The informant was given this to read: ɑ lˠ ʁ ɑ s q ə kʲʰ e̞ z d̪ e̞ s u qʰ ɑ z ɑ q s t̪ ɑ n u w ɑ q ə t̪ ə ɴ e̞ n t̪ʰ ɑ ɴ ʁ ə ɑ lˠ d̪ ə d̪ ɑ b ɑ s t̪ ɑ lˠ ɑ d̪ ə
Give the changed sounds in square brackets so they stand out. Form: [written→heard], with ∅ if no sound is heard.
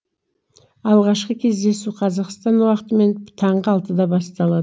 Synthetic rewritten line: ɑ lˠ ʁ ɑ [s→ʃ] q ə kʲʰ e̞ z d̪ e̞ s u qʰ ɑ z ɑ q s t̪ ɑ n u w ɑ q ə t̪ ə [ɴ→m] e̞ n t̪ʰ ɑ ɴ ʁ ə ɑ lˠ [d̪→t̪] ə d̪ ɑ b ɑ s t̪ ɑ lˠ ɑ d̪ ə

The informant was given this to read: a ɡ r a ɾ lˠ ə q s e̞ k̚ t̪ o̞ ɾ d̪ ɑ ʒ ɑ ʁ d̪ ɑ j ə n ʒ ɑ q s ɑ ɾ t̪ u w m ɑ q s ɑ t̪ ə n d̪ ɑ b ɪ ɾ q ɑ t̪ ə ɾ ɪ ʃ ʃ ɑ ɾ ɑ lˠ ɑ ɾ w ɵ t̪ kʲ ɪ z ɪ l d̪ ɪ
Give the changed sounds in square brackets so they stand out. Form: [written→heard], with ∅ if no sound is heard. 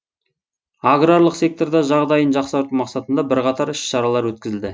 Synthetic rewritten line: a ɡ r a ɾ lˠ ə q s e̞ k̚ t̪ o̞ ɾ d̪ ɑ ʒ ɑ ʁ d̪ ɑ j ə n ʒ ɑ q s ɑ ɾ t̪ u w m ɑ q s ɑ t̪ ə n d̪ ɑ b ɪ ɾ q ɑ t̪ [ə→ɑ] ɾ ɪ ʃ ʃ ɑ ɾ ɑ lˠ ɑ ɾ w ɵ t̪ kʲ ɪ z ɪ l d̪ ɪ

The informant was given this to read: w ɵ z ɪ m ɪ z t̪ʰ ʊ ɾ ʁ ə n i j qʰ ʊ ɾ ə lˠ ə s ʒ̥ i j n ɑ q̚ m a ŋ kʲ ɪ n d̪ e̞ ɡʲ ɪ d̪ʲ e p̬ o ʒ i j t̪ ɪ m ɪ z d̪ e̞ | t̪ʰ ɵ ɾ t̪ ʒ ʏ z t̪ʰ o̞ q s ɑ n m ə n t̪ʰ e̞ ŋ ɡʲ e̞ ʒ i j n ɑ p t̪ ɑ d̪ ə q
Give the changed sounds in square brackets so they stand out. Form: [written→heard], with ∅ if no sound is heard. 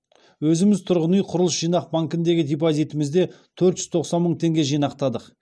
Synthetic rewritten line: w ɵ z ɪ m ɪ z t̪ʰ ʊ ɾ ʁ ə n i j qʰ ʊ ɾ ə lˠ ə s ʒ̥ i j n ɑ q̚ [m→b] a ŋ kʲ ɪ n d̪ e̞ ɡʲ ɪ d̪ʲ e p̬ o [ʒ→z] i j t̪ ɪ m ɪ z d̪ e̞ | t̪ʰ ɵ ɾ t̪ ʒ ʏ z t̪ʰ o̞ q s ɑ n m ə [n→ɴ] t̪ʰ e̞ ŋ ɡʲ e̞ ʒ i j n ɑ [p→q] t̪ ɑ d̪ ə q

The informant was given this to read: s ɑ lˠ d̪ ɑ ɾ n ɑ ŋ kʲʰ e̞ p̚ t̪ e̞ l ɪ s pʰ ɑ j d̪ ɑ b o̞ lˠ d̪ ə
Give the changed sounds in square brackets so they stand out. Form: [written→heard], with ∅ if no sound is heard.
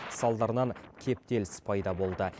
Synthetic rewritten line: s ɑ lˠ d̪ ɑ ɾ n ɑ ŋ kʲʰ e̞ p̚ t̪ e̞ l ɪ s pʰ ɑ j d̪ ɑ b o̞ lˠ d̪ ə

